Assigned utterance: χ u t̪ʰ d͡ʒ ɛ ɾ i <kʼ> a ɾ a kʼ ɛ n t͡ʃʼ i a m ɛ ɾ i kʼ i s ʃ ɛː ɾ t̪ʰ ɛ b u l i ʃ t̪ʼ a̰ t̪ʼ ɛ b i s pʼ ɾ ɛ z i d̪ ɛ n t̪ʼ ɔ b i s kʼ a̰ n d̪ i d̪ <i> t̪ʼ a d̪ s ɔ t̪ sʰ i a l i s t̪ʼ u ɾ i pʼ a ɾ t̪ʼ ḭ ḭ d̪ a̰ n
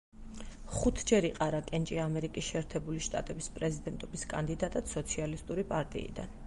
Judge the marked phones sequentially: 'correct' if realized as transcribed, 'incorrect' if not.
incorrect: qʼ, incorrect: a

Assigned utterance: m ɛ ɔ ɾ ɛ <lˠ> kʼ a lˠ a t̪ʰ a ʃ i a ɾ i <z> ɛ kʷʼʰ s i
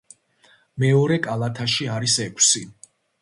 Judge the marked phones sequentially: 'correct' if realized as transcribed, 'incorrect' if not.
incorrect: none, incorrect: s

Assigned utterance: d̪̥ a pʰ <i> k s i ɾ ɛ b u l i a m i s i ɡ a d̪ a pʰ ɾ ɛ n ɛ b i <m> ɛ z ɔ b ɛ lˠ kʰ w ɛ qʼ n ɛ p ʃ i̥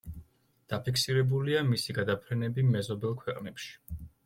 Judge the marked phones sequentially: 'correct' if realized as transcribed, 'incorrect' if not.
correct, correct

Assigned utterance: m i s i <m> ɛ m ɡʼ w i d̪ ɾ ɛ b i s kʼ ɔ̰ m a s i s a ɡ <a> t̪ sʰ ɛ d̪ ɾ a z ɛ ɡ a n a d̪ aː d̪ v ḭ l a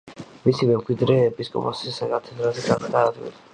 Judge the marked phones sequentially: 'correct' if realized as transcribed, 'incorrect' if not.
correct, correct

